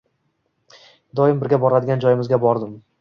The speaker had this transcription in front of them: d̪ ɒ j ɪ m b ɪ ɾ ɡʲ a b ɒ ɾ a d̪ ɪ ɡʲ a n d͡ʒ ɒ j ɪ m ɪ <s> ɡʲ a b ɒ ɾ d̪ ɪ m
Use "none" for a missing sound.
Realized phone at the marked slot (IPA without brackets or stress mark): z